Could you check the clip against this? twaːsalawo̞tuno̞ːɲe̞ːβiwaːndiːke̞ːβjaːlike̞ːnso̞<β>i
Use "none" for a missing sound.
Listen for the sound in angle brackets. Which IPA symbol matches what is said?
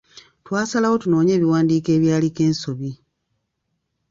β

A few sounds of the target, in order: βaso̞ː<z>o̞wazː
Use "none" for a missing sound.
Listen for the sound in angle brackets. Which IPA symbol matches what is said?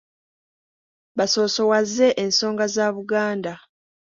s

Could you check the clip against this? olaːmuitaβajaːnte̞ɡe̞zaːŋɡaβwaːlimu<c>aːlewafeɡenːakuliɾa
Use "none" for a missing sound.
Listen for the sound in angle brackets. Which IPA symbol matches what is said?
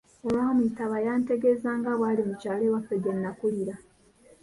c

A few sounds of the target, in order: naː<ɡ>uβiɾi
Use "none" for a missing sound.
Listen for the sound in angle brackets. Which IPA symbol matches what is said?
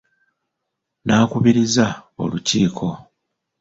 k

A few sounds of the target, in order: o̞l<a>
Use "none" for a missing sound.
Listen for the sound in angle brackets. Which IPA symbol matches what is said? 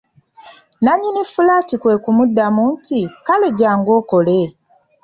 e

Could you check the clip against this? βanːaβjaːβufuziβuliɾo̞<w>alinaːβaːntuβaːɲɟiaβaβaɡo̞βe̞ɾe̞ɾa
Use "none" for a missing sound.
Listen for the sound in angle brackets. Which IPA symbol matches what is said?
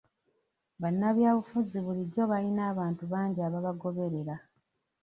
β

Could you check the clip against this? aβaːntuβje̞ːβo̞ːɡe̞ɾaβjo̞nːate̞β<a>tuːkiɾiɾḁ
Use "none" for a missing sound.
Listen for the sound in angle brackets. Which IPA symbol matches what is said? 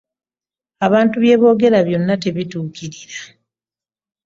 i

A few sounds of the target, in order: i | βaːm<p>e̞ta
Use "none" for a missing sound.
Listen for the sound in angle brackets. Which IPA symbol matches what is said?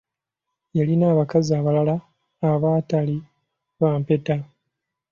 p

